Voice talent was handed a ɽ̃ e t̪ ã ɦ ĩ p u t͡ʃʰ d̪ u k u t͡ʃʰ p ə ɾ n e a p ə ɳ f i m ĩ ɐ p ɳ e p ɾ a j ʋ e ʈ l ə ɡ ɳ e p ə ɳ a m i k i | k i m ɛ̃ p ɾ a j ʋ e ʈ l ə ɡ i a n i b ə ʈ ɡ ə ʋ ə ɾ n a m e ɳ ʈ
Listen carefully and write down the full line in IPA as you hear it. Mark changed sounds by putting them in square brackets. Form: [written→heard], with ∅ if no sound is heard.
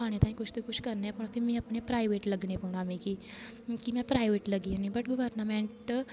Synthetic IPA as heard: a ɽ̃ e t̪ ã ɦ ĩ [p→k] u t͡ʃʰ [d̪→t̪] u k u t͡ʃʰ [p→k] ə ɾ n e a p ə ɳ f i m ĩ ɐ p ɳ e p ɾ a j ʋ e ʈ l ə ɡ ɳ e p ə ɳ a m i k i | k i m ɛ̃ p ɾ a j ʋ e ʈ l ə ɡ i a n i b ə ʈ ɡ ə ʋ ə ɾ n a m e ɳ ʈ